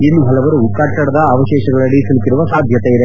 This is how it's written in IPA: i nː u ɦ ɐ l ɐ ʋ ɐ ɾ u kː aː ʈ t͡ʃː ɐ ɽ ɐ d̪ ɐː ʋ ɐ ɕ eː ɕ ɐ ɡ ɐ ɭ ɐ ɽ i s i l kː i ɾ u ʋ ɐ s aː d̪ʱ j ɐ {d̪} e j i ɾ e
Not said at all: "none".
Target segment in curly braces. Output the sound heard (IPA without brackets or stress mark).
t̪